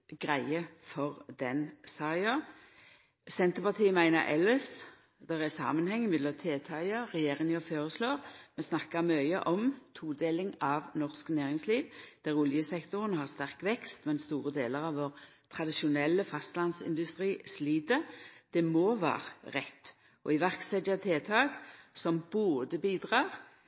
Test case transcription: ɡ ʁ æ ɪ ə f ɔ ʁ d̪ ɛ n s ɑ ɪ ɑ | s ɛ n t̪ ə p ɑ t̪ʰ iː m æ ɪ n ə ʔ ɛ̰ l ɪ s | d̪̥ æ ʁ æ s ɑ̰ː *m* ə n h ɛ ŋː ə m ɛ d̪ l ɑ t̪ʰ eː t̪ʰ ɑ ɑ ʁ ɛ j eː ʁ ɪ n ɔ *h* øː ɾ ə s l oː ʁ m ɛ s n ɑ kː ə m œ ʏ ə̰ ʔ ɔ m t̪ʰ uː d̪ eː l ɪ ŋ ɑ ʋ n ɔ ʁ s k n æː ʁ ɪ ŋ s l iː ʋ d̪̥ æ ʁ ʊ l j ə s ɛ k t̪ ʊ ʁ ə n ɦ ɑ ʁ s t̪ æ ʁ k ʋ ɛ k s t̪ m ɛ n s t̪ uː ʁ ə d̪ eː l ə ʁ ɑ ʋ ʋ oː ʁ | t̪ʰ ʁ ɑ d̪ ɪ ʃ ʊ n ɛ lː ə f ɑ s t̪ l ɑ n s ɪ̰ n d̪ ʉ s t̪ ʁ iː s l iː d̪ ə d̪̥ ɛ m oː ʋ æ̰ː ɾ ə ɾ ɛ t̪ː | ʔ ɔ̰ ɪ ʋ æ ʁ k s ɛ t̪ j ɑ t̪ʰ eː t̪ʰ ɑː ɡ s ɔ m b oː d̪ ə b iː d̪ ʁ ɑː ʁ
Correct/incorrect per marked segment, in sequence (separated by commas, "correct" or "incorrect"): correct, incorrect